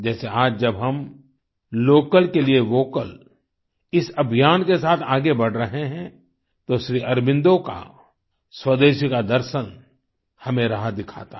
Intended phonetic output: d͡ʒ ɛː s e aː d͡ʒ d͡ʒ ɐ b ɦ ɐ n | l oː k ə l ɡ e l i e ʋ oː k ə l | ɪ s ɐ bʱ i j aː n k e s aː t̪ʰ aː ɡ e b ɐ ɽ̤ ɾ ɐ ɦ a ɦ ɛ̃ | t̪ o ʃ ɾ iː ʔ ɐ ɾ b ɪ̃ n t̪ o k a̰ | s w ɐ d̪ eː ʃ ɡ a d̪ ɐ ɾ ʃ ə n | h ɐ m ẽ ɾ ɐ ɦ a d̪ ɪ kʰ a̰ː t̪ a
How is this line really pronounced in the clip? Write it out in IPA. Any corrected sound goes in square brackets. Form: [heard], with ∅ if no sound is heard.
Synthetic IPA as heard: d͡ʒ ɛː s e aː d͡ʒ d͡ʒ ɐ b ɦ ɐ [m] | l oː k ə l [k] e l i e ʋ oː k ə l | ɪ s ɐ bʱ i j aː n k e s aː t̪ʰ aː ɡ e b ɐ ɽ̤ ɾ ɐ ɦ [e] ɦ ɛ̃ | t̪ o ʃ ɾ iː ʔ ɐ ɾ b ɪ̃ n [d̪] o k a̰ | s w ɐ d̪ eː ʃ [k] a d̪ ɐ ɾ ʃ ə n | h ɐ m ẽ ɾ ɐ ɦ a d̪ ɪ kʰ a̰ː t̪ a

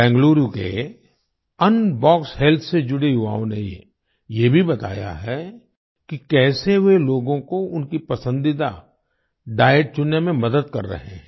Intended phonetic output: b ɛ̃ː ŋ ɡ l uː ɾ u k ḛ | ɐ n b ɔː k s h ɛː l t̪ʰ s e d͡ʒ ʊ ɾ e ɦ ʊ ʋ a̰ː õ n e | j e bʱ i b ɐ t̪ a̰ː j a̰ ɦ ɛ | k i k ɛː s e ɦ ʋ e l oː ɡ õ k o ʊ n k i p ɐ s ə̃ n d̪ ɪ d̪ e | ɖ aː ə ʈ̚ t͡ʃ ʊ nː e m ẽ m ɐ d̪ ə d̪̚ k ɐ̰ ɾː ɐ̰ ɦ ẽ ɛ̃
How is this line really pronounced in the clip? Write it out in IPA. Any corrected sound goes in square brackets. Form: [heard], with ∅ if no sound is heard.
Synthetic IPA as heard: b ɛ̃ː ŋ ɡ l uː ɾ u k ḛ | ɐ n b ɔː k s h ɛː l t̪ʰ s e d͡ʒ ʊ [ɽ] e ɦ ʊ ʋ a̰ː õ n e | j e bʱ i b ɐ t̪ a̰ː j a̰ ɦ ɛ | k i k ɛː s e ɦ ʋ e l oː ɡ õ k o ʊ n k i p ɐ s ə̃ n d̪ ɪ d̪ [a] | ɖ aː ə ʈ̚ t͡ʃ ʊ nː e m ẽ m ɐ d̪ ə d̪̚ k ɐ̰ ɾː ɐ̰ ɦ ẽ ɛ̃

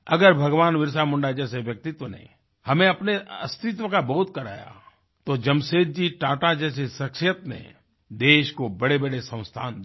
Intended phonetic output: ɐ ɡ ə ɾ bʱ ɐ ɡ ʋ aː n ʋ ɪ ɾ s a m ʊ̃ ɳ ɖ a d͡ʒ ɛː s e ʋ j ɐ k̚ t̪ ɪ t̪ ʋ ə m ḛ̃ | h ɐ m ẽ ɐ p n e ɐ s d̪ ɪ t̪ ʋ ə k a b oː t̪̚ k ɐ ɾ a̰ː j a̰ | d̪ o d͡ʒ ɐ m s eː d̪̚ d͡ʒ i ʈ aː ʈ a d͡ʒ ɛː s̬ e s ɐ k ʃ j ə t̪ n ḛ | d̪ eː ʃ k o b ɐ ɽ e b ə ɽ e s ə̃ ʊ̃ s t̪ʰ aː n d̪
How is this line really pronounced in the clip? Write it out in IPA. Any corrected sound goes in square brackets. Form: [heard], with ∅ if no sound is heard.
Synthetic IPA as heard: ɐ ɡ ə ɾ bʱ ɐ ɡ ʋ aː n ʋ ɪ ɾ s a m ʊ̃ ɳ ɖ a d͡ʒ ɛː s e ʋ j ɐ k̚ t̪ ɪ t̪ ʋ ə [n] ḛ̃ | h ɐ m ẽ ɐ p n e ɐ s [t̪] ɪ t̪ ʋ ə k a b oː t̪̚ k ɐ ɾ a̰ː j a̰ | [t̪] o d͡ʒ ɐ m s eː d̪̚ d͡ʒ i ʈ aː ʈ a d͡ʒ ɛː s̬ e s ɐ k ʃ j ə t̪ n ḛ | d̪ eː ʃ k o b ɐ ɽ e b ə ɽ e s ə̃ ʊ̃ s t̪ʰ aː n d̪

